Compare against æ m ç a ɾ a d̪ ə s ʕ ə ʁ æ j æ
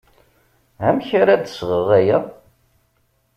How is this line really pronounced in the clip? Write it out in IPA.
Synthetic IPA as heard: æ m ç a ɾ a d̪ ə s ʁ ə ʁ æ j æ